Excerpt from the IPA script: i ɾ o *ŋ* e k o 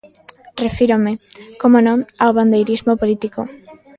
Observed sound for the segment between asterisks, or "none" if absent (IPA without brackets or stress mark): m